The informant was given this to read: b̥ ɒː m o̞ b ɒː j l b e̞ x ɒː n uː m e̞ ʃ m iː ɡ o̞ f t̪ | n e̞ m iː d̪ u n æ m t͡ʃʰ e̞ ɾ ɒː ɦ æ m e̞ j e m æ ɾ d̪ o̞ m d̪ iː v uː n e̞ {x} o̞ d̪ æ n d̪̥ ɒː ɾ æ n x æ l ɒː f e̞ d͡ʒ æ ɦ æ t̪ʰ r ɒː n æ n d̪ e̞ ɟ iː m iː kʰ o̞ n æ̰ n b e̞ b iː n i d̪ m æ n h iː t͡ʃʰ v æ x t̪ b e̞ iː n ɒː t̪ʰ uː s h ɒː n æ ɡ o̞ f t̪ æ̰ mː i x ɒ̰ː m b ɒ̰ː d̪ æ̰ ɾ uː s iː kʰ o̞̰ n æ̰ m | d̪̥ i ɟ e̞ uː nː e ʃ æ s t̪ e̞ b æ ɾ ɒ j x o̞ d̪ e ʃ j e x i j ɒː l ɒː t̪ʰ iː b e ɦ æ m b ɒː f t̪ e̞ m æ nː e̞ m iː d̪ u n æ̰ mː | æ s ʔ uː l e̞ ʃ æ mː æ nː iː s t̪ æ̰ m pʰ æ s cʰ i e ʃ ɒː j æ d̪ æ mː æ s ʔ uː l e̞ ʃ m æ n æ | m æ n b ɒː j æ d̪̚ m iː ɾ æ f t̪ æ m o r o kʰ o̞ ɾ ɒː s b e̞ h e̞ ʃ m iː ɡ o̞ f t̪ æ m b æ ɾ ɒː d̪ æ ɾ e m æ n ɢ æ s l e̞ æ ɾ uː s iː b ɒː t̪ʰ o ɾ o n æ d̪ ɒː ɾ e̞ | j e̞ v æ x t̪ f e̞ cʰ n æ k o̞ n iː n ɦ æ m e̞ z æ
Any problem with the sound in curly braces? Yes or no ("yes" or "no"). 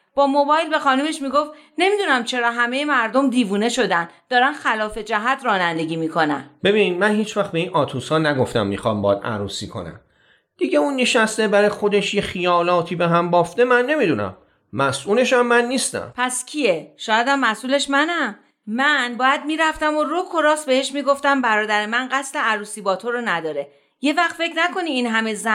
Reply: yes